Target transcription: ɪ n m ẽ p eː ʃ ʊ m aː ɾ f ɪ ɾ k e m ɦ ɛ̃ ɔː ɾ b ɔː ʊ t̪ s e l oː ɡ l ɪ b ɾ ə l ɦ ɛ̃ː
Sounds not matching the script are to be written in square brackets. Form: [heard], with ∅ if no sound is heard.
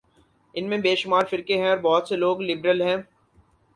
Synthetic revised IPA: ɪ n m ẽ [b] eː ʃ ʊ m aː ɾ f ɪ ɾ k e [∅] ɦ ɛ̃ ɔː ɾ b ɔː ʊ t̪ s e l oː ɡ l ɪ b ɾ ə l ɦ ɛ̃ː